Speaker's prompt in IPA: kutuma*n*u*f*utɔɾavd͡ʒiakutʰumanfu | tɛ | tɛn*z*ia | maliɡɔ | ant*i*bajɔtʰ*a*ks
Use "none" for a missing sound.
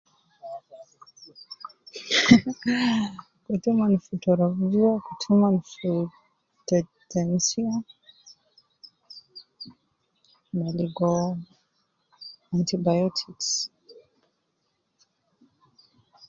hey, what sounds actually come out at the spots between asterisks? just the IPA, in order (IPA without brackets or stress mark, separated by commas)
n, f, s, i, i